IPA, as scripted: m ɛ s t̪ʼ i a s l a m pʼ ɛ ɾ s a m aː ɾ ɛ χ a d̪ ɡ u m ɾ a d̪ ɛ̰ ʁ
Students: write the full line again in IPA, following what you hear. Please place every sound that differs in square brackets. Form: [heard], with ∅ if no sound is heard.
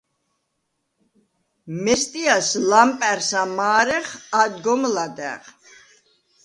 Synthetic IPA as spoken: m ɛ s t̪ʼ i a s l a m pʼ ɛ ɾ s a m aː ɾ ɛ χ a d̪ ɡ [ɔ] m [l] a d̪ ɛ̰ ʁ